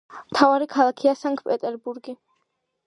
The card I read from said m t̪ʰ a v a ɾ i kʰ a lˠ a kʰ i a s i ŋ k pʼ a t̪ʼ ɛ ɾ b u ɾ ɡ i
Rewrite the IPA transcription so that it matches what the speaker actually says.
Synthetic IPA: m t̪ʰ a v a ɾ i kʰ a lˠ a kʰ i a s a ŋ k pʼ ɛ t̪ʼ ɛ ɾ b u ɾ ɡ i